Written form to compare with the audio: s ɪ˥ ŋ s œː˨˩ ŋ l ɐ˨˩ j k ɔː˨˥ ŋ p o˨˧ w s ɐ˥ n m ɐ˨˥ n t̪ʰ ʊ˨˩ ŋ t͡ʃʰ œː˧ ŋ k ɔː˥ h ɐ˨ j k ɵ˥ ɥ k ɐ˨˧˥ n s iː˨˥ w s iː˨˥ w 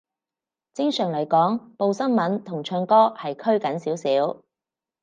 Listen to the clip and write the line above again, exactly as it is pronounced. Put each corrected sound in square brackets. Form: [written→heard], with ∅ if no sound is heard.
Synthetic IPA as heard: [s→t͡s] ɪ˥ ŋ s œː˨˩ ŋ l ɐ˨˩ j k ɔː˨˥ ŋ p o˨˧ w s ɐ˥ n m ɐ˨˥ n t̪ʰ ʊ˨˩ ŋ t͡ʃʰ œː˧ ŋ k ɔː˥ h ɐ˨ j [k→kʰ] ɵ˥ ɥ k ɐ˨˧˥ n s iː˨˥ w s iː˨˥ w